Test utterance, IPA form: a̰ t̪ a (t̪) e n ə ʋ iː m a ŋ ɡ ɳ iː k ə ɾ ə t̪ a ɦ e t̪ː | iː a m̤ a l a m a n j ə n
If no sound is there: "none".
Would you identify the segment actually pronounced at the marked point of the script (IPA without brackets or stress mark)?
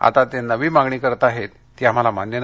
t̪